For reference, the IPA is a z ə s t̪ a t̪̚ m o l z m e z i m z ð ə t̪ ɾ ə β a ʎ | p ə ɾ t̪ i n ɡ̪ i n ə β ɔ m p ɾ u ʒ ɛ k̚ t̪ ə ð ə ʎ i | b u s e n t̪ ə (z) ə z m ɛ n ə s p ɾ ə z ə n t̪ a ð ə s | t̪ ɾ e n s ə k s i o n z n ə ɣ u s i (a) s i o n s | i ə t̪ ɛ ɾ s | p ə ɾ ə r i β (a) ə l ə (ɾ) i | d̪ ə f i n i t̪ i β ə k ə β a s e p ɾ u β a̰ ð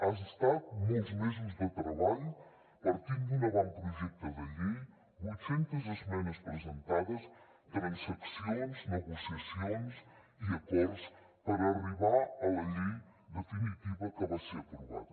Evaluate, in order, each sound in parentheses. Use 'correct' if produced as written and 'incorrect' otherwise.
correct, incorrect, correct, incorrect

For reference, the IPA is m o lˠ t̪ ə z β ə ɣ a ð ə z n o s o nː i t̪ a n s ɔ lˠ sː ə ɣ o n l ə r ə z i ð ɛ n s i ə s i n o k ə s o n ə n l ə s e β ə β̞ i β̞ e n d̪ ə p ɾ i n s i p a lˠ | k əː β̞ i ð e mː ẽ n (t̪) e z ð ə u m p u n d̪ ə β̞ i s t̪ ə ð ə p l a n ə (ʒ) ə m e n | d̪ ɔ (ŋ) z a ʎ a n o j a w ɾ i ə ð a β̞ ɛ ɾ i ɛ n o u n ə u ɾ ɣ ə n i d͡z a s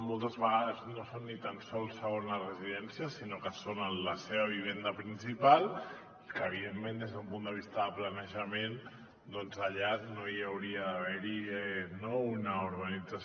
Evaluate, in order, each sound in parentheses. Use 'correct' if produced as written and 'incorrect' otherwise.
incorrect, correct, incorrect

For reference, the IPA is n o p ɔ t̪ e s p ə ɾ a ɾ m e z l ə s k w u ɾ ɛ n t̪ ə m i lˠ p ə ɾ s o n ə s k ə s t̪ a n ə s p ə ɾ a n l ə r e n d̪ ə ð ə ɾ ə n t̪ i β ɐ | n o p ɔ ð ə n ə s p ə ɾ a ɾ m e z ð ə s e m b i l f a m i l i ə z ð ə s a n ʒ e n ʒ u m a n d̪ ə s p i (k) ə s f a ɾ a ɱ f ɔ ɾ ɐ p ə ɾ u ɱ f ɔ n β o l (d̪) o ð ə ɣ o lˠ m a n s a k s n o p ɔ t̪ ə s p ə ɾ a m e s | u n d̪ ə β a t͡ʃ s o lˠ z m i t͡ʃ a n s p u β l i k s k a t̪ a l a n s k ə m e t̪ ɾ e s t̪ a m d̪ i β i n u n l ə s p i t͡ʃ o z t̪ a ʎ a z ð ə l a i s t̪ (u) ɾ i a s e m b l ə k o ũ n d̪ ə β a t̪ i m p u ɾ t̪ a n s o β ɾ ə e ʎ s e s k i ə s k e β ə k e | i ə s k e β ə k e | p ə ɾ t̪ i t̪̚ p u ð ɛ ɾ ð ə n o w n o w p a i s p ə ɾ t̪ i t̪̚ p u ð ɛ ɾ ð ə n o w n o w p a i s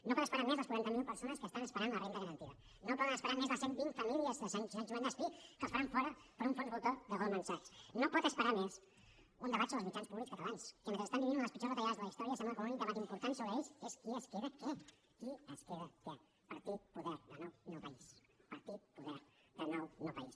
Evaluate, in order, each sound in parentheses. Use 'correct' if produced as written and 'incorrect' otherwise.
correct, incorrect, incorrect

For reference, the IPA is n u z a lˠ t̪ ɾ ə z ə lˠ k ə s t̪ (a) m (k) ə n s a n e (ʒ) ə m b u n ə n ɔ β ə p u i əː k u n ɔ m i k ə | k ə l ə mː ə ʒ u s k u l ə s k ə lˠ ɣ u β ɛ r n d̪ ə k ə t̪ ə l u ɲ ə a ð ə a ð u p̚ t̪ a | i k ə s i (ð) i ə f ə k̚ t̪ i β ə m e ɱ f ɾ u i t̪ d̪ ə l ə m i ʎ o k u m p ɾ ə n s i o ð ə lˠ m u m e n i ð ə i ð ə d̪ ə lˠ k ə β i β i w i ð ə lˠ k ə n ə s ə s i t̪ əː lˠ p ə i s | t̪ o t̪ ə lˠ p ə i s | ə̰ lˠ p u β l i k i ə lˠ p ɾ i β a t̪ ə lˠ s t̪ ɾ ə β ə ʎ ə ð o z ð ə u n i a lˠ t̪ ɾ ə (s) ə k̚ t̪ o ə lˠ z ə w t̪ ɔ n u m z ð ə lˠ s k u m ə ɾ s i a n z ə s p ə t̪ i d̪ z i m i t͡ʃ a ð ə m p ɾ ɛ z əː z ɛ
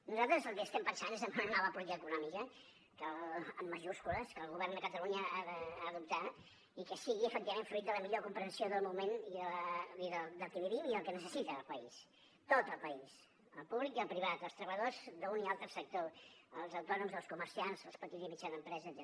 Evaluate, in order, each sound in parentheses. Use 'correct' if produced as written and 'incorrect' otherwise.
incorrect, incorrect, incorrect, incorrect, correct

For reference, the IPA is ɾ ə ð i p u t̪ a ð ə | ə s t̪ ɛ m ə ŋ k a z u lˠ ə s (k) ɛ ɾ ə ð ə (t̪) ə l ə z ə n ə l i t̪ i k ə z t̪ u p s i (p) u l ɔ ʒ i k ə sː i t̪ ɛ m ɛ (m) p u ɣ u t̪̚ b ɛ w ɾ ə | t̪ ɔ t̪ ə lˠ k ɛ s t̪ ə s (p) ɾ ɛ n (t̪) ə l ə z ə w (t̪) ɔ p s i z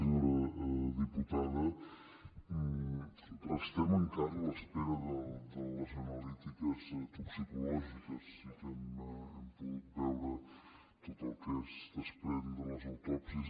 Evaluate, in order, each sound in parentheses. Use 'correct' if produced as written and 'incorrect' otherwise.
incorrect, incorrect, incorrect, correct, correct, incorrect, correct

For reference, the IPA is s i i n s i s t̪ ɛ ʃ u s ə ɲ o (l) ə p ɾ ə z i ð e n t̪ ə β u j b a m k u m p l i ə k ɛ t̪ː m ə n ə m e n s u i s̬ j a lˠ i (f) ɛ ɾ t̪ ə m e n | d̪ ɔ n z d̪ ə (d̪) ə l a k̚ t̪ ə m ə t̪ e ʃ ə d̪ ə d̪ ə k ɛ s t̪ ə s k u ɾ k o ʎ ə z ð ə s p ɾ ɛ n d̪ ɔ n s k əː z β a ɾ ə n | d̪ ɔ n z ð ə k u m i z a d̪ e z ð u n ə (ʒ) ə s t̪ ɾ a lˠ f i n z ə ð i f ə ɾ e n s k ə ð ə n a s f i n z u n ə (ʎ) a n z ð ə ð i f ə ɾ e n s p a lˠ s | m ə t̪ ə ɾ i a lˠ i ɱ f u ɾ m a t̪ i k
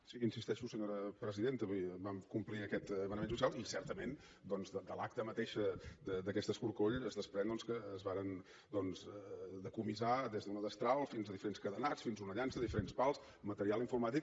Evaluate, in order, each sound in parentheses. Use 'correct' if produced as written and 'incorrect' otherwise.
incorrect, incorrect, correct, incorrect, correct

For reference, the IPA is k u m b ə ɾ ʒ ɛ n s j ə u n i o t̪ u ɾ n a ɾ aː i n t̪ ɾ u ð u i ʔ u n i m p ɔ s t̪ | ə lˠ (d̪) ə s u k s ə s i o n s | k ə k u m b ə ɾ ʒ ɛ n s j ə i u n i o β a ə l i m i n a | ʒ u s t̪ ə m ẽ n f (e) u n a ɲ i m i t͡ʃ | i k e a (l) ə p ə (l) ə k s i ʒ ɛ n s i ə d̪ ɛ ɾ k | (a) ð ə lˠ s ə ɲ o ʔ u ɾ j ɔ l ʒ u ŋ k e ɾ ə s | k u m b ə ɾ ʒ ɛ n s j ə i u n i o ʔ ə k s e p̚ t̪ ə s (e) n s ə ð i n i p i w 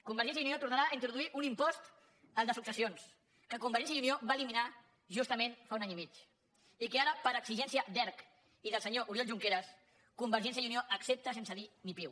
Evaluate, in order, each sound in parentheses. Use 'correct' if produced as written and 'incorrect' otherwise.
correct, incorrect, incorrect, incorrect, incorrect, correct

